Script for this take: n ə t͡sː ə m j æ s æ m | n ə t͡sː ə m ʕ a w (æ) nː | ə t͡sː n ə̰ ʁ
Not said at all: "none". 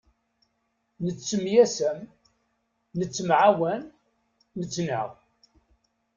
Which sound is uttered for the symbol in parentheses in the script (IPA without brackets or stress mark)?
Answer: æ